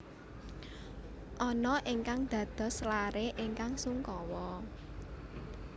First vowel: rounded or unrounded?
rounded